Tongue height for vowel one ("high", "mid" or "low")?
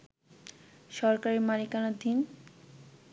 mid